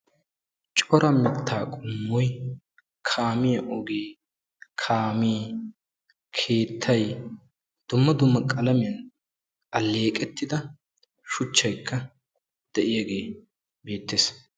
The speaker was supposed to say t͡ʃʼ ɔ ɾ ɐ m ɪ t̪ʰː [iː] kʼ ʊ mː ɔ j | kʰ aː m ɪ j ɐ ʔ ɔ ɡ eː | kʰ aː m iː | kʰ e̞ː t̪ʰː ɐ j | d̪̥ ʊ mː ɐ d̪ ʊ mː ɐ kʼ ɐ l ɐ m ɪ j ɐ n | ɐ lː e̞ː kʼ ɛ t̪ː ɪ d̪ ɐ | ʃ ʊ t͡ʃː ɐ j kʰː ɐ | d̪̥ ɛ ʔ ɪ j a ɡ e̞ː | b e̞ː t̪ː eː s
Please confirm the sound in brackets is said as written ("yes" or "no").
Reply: no